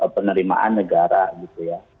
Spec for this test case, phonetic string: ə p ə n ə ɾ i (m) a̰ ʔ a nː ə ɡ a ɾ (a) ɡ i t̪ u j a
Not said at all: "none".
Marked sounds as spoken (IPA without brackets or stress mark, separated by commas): m, a